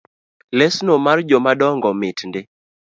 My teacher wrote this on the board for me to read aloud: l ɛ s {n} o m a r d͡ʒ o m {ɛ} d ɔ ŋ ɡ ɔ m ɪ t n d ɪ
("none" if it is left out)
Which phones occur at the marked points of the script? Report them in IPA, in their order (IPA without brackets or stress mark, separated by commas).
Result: n, a